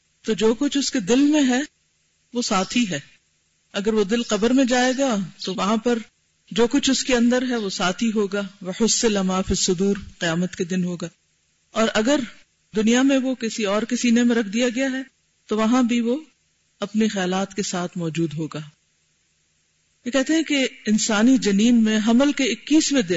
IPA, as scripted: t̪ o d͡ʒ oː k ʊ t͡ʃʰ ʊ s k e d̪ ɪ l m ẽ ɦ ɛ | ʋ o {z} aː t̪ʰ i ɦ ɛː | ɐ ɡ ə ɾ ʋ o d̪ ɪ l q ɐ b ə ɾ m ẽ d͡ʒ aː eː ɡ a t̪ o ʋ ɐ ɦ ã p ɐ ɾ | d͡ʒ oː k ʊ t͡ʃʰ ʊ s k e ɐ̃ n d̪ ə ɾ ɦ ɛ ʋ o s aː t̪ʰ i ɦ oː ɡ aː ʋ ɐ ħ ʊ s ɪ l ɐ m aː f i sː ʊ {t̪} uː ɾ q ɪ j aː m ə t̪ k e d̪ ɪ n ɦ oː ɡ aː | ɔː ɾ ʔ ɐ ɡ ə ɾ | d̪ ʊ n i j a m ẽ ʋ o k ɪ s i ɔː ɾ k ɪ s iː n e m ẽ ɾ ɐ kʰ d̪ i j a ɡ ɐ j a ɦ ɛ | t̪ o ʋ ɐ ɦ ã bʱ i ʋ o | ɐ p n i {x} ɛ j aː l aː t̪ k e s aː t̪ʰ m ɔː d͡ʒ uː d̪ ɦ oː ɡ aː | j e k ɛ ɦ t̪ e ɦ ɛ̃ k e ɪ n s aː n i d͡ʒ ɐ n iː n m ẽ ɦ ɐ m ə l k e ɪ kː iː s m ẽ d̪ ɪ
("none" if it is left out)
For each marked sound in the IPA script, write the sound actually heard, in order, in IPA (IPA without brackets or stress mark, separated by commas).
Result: s, d̪, x